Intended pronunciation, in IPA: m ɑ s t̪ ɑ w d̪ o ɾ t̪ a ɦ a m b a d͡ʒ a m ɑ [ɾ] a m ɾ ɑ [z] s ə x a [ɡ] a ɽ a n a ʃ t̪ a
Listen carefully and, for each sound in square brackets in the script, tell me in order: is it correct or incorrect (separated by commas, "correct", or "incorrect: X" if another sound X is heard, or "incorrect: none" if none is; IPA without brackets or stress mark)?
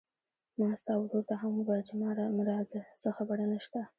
correct, correct, incorrect: b